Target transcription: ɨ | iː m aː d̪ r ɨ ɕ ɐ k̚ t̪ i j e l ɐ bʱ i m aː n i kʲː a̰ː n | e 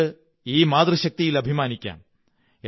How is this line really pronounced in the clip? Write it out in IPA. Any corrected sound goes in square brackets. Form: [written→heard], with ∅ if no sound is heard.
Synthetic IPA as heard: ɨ | iː m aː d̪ r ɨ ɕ ɐ k̚ t̪ i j [e→i] l ɐ bʱ i m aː n i kʲː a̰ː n | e